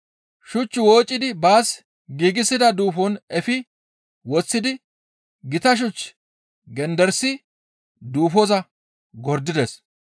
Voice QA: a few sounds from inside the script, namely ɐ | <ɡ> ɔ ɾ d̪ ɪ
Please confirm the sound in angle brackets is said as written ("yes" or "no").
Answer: yes